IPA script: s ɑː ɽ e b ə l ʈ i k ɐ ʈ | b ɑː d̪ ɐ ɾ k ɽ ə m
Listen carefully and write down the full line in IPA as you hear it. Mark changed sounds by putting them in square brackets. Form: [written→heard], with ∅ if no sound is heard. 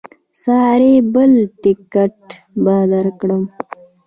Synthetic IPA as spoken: s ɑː [ɽ→ɾ] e b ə l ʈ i k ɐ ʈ | b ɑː d̪ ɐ ɾ k ɽ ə m